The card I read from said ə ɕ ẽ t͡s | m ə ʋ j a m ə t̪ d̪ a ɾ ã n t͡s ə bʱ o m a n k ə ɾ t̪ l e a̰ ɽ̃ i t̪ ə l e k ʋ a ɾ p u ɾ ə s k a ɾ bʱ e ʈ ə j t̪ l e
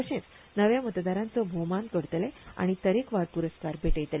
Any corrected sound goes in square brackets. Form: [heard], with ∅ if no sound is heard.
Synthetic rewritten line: ə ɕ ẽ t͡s | [n] ə ʋ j a m ə t̪ d̪ a ɾ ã n t͡s ə bʱ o m a n k ə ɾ t̪ l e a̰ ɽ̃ i t̪ ə [ɾ] e k ʋ a ɾ p u ɾ ə s k a ɾ bʱ e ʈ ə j t̪ l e

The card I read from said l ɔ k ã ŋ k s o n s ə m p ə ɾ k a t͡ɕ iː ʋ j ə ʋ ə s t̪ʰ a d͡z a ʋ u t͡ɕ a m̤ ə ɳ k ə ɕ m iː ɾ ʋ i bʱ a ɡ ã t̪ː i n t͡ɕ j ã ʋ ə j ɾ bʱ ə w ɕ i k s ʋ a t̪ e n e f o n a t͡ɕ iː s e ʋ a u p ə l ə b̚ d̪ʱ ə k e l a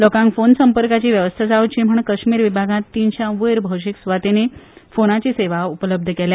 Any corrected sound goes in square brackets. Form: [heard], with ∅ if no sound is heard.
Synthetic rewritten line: l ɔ k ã ŋ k [f] o n s ə m p ə ɾ k a t͡ɕ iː ʋ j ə ʋ ə s t̪ʰ a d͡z a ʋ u t͡ɕ [i] m̤ ə ɳ k ə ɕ m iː ɾ ʋ i bʱ a ɡ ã t̪ː i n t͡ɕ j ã ʋ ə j ɾ bʱ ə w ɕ i k s ʋ a t̪ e n e f o n a t͡ɕ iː s e ʋ a u p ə l ə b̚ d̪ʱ ə k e l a

